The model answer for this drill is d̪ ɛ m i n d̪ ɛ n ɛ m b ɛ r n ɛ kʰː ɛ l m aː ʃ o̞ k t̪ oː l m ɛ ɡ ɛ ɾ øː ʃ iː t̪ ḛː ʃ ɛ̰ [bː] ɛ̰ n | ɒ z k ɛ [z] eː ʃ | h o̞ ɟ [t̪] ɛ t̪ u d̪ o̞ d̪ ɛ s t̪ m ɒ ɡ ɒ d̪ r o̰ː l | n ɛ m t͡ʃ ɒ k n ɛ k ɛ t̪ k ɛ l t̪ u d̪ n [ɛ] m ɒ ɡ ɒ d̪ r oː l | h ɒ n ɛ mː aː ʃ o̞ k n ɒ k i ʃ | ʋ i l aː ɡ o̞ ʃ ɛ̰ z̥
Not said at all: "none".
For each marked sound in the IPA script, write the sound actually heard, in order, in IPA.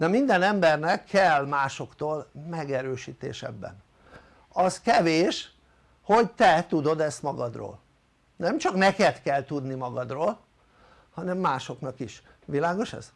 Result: bː, v, t̪, i

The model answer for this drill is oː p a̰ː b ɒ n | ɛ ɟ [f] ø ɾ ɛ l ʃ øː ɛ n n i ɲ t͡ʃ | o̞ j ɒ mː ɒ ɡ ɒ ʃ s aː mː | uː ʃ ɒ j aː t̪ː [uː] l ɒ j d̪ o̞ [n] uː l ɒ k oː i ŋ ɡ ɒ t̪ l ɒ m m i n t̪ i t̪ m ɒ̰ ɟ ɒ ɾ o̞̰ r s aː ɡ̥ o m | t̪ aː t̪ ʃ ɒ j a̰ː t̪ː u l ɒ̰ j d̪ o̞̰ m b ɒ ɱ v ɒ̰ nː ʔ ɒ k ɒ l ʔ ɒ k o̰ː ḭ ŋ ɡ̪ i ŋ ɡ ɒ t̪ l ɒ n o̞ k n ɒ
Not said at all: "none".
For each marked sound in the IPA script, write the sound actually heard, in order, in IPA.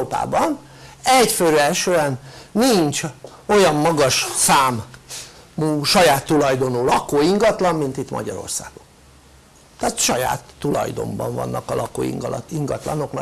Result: f, u, n

